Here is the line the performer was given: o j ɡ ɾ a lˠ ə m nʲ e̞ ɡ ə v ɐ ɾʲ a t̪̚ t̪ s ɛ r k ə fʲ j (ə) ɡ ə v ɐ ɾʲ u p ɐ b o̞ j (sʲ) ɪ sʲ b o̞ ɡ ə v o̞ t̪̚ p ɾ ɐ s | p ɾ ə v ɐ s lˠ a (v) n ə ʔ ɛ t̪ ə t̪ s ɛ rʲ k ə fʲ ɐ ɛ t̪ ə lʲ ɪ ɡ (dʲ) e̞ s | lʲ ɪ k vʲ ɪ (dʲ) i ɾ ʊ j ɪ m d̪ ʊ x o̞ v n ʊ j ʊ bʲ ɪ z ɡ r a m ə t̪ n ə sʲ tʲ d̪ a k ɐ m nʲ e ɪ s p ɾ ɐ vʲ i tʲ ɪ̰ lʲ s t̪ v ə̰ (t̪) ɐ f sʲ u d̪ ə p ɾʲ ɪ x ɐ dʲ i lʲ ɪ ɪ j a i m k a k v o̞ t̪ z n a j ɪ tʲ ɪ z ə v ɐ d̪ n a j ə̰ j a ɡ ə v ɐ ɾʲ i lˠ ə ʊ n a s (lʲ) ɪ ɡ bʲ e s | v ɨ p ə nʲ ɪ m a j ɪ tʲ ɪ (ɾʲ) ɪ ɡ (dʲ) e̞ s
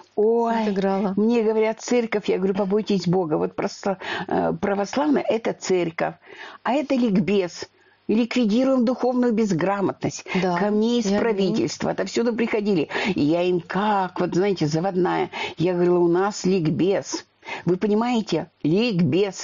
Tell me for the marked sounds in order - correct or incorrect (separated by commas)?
incorrect, incorrect, correct, incorrect, correct, correct, correct, incorrect, incorrect